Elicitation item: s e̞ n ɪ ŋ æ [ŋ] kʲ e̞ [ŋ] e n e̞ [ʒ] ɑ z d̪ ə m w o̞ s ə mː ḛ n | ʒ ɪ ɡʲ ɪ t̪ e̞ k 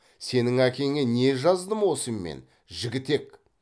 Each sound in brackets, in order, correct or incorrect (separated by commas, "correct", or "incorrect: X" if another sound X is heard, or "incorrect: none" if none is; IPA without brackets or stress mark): incorrect: none, correct, correct